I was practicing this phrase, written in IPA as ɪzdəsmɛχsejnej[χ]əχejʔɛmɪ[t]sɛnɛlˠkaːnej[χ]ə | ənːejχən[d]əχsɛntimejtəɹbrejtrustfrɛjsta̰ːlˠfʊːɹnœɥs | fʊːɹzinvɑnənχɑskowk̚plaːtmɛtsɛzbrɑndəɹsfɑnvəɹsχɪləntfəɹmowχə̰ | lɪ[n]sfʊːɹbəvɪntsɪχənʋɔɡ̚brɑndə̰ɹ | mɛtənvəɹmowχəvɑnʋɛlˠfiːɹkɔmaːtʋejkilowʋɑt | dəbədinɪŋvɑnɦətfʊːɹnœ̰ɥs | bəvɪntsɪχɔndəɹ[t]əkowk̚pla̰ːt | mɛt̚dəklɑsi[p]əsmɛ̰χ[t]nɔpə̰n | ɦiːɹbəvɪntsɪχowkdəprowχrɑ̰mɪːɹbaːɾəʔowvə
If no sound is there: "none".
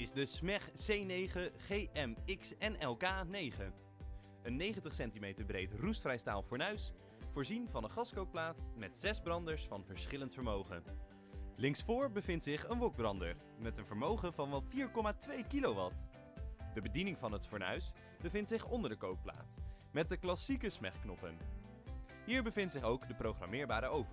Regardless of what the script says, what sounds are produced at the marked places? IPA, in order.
χ, k, χ, t, ŋ, d, k, k

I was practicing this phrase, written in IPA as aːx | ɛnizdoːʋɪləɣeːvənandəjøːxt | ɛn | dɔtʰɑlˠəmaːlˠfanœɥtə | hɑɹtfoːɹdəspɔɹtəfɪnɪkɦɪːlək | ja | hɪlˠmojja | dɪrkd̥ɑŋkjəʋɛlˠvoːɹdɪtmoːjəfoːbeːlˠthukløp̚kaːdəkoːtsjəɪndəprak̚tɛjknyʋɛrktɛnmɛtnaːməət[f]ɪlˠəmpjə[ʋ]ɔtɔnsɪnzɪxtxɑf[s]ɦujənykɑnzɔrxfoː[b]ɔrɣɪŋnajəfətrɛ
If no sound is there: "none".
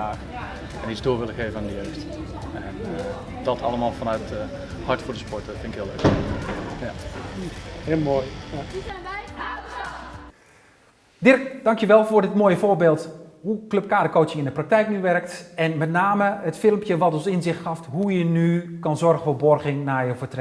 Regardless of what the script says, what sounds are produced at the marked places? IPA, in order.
f, ʋ, t, b

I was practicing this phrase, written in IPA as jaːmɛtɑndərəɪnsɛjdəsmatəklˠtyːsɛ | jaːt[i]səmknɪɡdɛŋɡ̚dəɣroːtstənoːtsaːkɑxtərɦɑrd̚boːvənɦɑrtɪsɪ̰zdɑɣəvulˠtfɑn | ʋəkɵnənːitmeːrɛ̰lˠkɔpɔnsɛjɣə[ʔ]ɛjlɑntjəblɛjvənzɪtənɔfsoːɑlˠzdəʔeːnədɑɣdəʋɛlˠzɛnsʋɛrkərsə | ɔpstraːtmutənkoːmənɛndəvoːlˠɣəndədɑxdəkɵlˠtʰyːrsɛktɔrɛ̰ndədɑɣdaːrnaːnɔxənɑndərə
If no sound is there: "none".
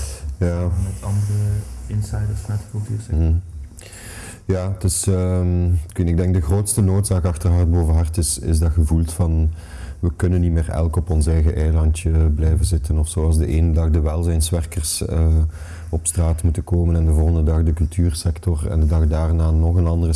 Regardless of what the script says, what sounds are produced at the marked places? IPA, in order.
ɪ, ʔ

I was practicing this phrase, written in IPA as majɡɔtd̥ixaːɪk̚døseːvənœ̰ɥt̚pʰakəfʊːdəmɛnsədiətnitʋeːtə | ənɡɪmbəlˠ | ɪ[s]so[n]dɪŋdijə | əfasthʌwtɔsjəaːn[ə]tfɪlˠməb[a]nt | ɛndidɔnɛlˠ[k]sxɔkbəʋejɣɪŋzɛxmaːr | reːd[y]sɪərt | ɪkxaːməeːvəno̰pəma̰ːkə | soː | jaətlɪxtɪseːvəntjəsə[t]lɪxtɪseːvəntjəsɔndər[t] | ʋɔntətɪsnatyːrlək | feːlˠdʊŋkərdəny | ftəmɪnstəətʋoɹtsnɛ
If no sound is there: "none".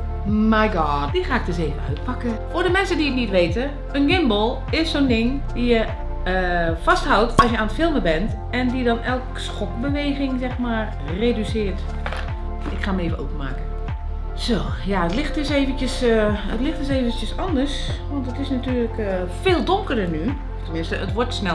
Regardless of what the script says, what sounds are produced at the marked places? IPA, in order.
s, n, ə, ɛ, k, y, t, s

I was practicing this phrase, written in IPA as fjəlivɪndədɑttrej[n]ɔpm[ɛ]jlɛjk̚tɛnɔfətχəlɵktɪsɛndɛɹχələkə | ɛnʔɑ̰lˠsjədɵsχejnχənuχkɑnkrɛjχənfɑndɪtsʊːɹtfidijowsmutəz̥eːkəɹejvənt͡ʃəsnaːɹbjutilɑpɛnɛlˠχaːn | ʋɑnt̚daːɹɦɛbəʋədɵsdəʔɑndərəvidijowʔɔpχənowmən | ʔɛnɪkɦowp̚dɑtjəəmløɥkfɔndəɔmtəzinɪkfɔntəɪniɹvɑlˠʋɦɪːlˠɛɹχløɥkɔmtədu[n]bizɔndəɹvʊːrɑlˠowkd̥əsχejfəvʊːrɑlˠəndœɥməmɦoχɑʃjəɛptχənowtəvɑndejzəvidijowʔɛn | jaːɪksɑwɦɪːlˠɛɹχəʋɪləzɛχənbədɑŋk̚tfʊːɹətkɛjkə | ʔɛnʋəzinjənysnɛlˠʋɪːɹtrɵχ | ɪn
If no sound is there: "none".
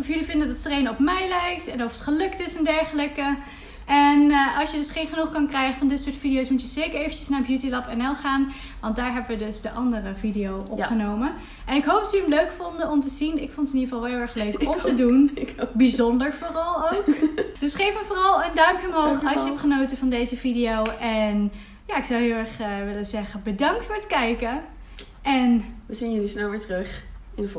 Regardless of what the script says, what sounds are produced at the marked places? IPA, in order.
n, ɛ, n

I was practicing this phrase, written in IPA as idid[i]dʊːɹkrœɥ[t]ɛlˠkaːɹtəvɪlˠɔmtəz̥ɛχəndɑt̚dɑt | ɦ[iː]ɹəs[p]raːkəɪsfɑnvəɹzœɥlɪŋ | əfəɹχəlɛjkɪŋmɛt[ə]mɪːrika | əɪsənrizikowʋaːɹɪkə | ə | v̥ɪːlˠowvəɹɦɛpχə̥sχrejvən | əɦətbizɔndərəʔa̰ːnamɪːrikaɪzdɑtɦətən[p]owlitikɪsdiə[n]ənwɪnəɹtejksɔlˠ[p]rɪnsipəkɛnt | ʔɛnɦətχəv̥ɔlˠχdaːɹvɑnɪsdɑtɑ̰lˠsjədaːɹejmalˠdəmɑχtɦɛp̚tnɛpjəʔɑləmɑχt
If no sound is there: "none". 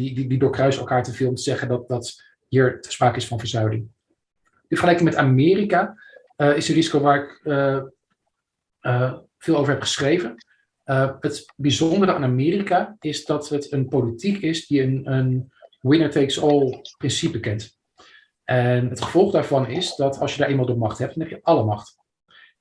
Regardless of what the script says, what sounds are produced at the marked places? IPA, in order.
i, s, iː, p, a, p, n, p

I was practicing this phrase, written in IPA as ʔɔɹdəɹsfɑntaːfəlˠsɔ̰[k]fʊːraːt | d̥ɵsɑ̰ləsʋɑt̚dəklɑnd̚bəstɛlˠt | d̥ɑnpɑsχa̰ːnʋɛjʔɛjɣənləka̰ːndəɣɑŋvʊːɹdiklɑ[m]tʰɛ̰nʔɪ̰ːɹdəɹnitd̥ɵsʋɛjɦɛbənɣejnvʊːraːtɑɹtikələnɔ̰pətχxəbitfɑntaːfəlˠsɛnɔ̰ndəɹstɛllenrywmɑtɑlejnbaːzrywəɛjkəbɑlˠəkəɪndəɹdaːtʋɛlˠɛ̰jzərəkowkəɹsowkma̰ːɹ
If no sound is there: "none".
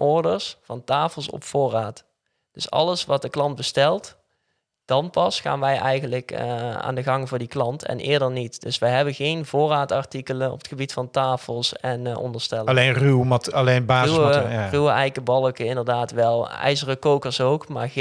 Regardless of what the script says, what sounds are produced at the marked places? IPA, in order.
p, n

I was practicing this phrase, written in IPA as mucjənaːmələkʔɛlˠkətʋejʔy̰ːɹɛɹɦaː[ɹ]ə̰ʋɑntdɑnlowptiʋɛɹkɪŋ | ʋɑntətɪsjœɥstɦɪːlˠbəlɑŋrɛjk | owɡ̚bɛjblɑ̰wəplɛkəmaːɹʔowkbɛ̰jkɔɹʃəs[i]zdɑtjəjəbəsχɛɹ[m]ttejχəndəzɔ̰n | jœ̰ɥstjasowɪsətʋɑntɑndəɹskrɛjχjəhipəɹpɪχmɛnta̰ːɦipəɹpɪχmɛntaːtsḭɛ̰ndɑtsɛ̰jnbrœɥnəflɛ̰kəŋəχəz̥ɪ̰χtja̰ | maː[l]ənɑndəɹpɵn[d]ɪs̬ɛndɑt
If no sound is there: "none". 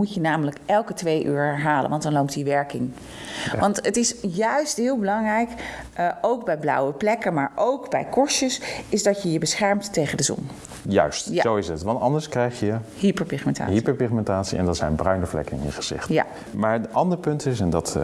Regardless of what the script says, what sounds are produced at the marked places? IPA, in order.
l, ɪ, m, ɹ, t

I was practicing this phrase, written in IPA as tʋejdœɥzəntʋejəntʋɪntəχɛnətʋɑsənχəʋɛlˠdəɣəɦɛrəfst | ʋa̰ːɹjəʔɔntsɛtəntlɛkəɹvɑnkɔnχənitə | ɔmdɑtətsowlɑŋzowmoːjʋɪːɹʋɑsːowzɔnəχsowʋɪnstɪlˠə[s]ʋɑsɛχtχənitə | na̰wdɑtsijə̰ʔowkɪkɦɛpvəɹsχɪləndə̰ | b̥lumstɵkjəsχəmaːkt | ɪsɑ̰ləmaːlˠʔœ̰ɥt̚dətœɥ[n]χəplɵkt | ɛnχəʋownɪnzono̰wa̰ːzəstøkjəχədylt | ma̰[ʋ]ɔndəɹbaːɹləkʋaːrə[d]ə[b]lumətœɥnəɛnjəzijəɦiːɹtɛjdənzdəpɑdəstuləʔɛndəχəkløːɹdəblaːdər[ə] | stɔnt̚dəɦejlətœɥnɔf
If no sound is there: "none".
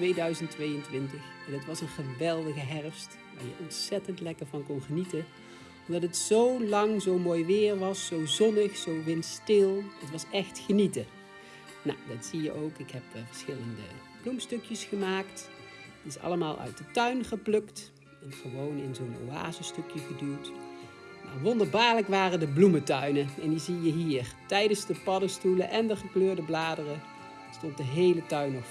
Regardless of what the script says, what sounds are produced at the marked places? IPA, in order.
t, n, ʋ, d, b, ə

